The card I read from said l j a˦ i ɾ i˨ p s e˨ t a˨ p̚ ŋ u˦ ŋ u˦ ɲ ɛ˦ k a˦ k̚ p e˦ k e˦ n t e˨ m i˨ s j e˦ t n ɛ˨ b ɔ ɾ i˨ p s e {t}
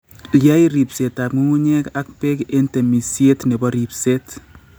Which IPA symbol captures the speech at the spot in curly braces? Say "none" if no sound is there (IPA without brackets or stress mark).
t